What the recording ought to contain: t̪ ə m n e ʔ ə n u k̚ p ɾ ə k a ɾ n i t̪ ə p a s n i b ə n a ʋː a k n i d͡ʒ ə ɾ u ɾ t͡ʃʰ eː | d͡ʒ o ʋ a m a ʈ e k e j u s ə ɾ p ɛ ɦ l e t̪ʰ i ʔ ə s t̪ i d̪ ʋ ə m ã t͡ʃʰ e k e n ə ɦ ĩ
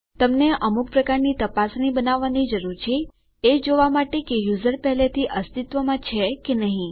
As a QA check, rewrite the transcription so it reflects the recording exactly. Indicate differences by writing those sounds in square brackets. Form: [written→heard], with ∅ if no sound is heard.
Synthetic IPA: t̪ ə m n e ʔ ə [n→m] u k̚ p ɾ ə k a ɾ n i t̪ ə p a s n i b ə n a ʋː a [k→∅] n i d͡ʒ ə ɾ u ɾ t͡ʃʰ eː | d͡ʒ o ʋ a m a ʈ e k e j u [s→z] ə ɾ p ɛ ɦ l e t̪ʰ i ʔ ə s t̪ i [d̪→t̪] ʋ ə m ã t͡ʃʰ e k e n ə ɦ ĩ